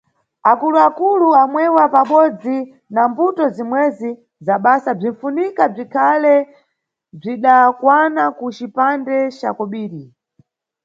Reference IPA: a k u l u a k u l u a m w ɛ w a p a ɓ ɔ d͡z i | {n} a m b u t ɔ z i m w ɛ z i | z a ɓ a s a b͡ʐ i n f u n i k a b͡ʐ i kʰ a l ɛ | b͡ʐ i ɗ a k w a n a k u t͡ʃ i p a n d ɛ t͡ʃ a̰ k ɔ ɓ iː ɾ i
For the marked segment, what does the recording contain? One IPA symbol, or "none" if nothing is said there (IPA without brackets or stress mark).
n